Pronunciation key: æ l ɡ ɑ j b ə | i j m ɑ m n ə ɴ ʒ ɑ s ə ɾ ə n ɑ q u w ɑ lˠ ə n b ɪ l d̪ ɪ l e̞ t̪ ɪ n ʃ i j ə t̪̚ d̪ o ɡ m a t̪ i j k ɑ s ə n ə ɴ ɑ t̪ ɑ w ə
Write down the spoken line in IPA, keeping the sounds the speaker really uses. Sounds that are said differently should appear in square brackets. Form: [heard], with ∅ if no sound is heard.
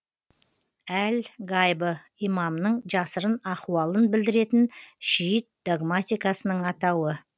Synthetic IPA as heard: æ l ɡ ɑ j b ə | i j m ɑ m n ə ɴ ʒ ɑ s ə ɾ ə n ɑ q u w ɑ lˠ ə n b ɪ l d̪ ɪ [ɾ] e̞ t̪ ɪ n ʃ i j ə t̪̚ d̪ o ɡ m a t̪ i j k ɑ s ə n ə ɴ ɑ t̪ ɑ w ə